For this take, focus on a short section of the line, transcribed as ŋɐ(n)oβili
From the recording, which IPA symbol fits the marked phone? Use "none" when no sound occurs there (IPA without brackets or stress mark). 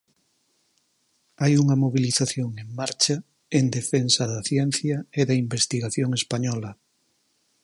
m